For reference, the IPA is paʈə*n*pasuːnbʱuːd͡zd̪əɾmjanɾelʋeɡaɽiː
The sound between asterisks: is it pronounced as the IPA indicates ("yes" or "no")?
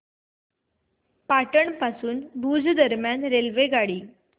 no